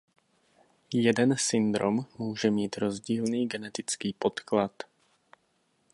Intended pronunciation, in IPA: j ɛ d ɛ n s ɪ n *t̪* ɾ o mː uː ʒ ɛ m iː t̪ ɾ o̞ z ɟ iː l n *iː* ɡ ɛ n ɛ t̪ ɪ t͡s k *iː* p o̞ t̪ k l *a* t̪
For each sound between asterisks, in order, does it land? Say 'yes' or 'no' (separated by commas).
no, yes, yes, yes